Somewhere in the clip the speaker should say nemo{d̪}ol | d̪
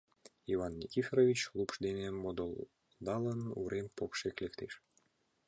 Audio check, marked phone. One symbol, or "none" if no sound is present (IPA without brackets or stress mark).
d̪